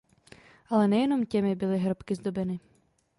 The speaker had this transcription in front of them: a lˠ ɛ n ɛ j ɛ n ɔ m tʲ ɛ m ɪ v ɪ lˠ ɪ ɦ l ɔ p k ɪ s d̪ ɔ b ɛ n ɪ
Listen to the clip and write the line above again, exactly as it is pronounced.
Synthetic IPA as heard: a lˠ ɛ n ɛ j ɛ n ɔ m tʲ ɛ m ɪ b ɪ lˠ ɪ ɦ ɾ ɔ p k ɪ z d̪ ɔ b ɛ n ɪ